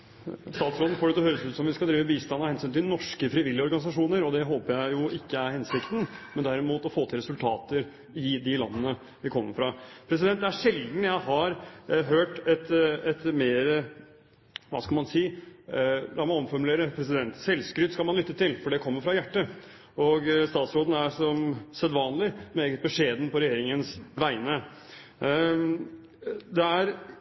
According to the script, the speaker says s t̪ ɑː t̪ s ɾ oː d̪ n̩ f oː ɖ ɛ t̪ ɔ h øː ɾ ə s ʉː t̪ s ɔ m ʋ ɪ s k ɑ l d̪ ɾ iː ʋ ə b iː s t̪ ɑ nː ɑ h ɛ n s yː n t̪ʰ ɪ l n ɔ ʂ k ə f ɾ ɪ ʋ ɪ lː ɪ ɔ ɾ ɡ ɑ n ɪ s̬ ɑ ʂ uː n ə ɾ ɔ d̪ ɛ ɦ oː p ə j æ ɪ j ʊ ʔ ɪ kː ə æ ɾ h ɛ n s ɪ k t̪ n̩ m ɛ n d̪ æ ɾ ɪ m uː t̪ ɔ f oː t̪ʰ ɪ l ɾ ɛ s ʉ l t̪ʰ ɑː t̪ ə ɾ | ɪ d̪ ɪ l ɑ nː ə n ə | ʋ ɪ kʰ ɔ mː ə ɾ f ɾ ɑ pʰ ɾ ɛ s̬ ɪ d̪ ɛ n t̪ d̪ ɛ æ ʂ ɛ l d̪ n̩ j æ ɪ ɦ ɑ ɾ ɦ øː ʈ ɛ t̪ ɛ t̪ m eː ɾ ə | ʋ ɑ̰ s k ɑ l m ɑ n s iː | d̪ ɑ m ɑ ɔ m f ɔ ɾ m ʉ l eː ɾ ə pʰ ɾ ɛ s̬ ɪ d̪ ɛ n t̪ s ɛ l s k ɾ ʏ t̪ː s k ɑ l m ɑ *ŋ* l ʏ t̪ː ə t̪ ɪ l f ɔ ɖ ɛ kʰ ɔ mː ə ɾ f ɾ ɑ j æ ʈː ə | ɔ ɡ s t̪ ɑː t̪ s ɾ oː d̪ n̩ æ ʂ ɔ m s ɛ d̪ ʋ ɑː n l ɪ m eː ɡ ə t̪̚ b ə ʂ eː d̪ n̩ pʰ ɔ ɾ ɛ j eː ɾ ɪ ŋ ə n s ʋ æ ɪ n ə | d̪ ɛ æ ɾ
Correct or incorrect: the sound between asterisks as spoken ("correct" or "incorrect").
incorrect